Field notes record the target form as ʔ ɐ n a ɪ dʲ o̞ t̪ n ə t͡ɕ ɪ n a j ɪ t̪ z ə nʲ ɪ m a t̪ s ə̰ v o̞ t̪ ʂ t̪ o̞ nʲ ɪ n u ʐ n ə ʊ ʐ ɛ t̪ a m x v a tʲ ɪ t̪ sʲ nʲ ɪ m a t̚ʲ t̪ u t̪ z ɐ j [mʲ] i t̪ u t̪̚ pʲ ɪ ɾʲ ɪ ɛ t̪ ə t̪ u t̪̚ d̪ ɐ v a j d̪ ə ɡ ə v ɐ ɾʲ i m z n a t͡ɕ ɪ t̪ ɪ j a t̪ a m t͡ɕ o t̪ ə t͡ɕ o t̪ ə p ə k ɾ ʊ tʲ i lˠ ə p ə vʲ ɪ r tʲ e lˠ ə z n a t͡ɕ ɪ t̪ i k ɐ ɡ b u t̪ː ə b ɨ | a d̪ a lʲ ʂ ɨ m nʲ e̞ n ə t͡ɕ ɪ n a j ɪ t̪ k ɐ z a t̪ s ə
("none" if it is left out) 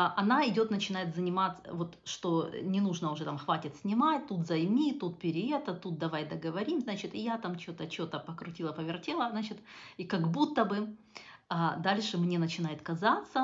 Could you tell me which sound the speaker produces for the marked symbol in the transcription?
mʲ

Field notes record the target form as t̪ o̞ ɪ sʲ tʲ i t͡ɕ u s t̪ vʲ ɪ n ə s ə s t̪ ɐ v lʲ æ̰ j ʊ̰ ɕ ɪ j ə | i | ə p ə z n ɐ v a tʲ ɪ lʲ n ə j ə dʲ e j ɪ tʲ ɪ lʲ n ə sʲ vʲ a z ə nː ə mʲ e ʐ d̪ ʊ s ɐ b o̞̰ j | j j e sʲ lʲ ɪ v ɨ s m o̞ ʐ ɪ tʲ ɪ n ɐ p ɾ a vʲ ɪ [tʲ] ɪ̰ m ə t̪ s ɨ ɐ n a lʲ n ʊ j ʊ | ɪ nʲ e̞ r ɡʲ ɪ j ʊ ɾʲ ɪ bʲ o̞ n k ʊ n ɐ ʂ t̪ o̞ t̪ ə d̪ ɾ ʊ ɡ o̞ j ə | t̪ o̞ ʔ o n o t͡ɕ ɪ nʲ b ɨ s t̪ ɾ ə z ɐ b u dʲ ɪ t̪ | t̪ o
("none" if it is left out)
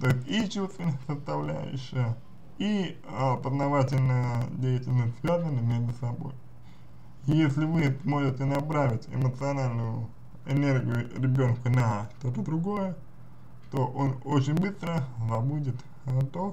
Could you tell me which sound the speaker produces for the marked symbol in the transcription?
tʲ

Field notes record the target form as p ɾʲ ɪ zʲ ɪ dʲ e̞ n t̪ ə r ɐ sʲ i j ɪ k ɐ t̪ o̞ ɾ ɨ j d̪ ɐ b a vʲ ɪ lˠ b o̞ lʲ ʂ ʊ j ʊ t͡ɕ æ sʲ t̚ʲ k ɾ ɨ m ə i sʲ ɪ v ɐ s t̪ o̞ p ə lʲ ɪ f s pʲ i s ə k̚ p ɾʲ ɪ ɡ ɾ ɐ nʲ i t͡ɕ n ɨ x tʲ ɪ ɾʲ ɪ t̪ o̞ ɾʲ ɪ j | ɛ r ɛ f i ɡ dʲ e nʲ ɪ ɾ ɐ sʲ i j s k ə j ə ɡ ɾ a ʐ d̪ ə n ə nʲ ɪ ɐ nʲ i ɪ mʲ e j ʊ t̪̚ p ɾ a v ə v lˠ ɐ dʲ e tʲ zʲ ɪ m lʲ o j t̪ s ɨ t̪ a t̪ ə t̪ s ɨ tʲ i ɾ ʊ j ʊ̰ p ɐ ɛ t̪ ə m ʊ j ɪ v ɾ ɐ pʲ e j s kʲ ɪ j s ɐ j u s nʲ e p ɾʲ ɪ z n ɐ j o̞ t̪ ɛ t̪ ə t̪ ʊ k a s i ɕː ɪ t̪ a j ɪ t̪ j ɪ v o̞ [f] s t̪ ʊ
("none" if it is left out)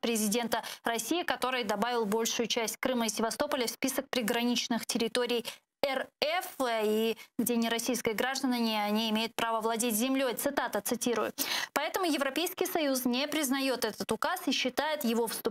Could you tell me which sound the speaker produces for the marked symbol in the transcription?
f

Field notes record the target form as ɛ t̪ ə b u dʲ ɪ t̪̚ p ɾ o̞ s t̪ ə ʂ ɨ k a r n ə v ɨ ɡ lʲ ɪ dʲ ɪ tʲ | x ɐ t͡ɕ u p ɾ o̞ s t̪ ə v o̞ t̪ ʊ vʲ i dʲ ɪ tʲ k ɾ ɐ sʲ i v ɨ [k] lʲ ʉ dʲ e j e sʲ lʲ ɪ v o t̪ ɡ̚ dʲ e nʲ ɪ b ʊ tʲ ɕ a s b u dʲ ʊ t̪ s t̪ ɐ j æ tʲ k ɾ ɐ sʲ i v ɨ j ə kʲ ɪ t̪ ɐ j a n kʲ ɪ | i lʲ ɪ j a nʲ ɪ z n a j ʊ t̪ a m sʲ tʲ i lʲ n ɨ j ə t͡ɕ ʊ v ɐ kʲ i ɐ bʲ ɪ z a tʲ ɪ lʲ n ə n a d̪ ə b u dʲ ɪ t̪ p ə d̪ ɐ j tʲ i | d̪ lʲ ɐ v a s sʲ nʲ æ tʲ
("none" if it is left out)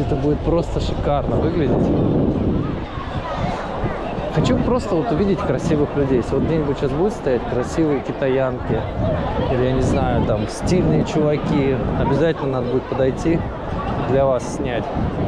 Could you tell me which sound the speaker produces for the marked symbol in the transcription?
x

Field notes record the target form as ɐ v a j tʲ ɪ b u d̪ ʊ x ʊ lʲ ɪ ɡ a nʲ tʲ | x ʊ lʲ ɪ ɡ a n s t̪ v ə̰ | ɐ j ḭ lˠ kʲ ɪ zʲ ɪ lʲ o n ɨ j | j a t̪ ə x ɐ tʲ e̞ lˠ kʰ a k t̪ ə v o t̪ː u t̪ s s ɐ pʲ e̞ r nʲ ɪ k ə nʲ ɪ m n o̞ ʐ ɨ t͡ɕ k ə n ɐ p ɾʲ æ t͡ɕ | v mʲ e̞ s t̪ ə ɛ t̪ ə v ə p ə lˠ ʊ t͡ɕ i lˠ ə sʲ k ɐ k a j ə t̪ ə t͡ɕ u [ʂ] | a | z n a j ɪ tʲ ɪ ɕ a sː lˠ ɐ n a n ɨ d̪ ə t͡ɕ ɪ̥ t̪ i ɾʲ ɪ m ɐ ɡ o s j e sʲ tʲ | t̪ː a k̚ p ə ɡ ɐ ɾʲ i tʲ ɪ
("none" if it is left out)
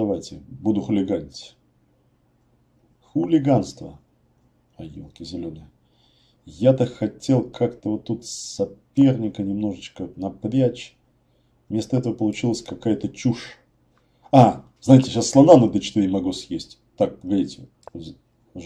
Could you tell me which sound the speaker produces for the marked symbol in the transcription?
ʂ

